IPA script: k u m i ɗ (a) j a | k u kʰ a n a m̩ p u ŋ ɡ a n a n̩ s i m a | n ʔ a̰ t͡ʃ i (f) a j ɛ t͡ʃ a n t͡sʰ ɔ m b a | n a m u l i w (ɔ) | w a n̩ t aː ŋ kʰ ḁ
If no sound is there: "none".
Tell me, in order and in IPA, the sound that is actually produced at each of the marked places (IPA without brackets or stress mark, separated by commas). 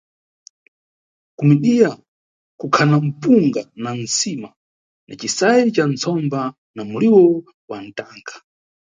i, s, ɔ